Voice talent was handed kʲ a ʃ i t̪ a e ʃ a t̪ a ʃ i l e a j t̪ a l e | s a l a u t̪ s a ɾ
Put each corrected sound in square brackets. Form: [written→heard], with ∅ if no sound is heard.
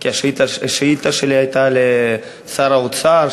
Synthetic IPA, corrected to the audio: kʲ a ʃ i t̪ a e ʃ [a→i] t̪ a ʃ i l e a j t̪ a l e | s a [l→ɾ] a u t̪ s a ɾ